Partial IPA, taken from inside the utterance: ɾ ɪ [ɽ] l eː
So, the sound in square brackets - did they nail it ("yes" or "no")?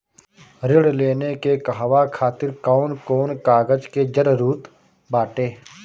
yes